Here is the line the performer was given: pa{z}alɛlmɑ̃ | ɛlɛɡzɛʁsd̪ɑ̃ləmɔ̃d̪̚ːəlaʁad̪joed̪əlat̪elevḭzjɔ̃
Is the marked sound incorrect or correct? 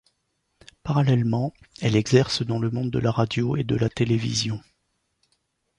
incorrect: ʁ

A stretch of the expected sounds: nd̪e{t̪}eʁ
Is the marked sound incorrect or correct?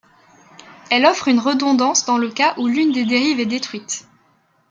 incorrect: d̪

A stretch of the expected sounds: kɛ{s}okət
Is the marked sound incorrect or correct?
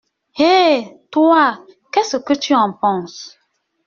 correct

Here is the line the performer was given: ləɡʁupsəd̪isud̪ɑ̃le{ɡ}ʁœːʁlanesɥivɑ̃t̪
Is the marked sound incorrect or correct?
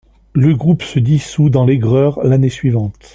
correct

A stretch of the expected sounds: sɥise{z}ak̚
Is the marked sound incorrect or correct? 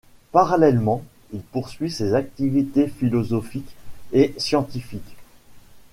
correct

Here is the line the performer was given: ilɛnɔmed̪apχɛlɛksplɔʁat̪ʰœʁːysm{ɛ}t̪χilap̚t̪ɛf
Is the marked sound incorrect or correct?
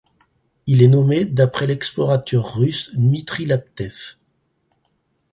incorrect: i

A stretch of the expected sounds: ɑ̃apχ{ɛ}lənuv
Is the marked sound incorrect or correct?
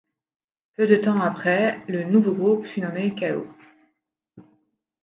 correct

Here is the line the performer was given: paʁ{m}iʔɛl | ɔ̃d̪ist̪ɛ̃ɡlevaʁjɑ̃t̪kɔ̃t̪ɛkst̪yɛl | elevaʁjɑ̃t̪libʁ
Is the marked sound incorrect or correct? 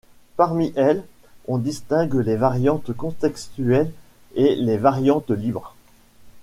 correct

